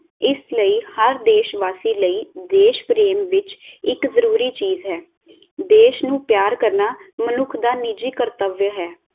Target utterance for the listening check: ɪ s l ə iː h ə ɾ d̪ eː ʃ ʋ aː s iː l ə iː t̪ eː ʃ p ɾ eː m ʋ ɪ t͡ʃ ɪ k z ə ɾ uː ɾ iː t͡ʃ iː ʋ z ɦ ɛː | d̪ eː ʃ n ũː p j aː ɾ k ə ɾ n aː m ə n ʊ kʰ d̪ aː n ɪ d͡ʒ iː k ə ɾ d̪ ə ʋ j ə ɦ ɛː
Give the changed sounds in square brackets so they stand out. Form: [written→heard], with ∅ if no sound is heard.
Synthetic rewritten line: ɪ s l ə iː h ə ɾ d̪ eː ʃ ʋ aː s iː l ə iː [t̪→d̪] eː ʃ p ɾ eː m ʋ ɪ t͡ʃ ɪ k z ə ɾ uː ɾ iː t͡ʃ iː [ʋ→∅] z ɦ ɛː | d̪ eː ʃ n ũː p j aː ɾ k ə ɾ n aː m ə n ʊ kʰ d̪ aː n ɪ d͡ʒ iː k ə ɾ [d̪→t̪] ə ʋ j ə ɦ ɛː

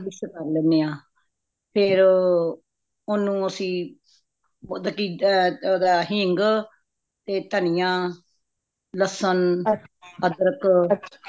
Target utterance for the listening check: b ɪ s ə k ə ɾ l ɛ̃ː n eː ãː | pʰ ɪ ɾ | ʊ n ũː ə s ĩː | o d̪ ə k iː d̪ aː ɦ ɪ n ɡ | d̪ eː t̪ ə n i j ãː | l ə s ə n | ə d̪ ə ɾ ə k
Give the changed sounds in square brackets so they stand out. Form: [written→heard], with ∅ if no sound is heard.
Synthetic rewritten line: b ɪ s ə k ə ɾ l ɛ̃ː n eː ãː | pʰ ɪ ɾ | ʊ n ũː ə s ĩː | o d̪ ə k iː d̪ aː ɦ ɪ [n→ŋ] ɡ | [d̪→t̪] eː t̪ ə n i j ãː | l ə s ə n | ə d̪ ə ɾ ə k

